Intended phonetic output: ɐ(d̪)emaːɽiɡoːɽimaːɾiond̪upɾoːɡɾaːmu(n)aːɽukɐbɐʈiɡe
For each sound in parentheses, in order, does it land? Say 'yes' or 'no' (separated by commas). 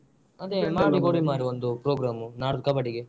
yes, yes